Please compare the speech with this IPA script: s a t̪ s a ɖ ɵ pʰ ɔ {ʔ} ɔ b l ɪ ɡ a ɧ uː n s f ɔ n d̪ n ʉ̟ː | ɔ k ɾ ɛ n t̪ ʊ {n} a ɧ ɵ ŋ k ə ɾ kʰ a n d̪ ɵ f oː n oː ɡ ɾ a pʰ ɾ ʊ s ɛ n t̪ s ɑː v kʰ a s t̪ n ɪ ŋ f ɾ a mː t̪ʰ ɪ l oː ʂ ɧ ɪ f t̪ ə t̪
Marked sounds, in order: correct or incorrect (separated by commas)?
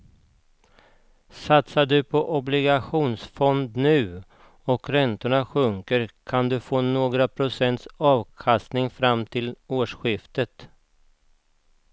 correct, incorrect